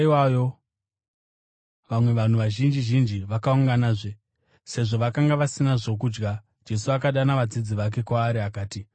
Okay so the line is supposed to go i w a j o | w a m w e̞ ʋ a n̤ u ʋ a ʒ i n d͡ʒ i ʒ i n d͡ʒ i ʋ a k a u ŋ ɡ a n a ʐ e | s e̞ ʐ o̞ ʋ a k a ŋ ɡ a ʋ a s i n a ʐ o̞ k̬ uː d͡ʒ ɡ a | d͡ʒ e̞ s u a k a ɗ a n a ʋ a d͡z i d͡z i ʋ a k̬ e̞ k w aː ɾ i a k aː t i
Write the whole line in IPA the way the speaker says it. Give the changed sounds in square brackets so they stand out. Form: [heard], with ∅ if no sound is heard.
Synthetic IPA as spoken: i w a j o | [ʋ] a m w e̞ ʋ a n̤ u ʋ a ʒ i n d͡ʒ i ʒ i n d͡ʒ i ʋ a k a u ŋ ɡ a n a ʐ e | s e̞ ʐ o̞ ʋ a k a ŋ ɡ a ʋ a s i n a ʐ o̞ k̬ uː d͡ʒ ɡ a | d͡ʒ e̞ s u a k a ɗ a n a ʋ a d͡z i d͡z i ʋ a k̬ e̞ k w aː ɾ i a k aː t i